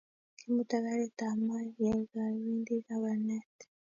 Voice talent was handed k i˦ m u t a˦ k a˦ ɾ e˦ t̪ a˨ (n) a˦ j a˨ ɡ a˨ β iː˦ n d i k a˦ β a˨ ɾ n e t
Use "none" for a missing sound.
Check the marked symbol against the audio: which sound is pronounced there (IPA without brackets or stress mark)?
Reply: m